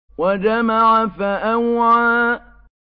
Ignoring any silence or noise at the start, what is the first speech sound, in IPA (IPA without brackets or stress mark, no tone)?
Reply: w